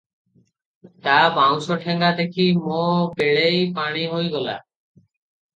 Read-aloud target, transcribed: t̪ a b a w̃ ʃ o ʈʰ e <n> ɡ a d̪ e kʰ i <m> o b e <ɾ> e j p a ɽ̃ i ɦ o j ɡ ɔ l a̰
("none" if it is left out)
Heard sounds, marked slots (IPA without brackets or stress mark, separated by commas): ŋ, m, ɭ